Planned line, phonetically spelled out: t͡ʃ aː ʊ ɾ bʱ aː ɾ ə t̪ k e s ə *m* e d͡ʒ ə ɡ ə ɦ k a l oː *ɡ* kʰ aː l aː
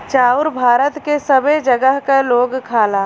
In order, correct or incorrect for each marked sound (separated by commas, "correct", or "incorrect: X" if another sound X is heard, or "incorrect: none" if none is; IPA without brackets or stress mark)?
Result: incorrect: b, correct